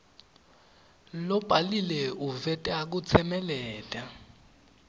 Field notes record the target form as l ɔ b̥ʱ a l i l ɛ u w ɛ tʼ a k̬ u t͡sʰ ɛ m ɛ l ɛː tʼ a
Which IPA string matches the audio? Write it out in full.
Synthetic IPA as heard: l ɔ b̥ʱ a l i l ɛ u v ɛ tʼ a k̬ u t͡sʰ ɛ m ɛ l ɛː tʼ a